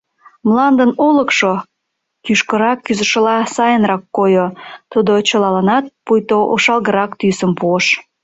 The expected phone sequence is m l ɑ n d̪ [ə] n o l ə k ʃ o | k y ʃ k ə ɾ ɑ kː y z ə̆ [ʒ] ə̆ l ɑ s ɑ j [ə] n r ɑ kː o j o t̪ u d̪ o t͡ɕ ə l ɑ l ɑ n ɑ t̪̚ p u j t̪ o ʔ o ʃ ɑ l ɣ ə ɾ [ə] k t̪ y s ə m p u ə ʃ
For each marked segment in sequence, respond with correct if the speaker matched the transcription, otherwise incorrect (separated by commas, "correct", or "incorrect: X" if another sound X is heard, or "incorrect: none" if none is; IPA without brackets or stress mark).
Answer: correct, incorrect: ʃ, correct, incorrect: ɑ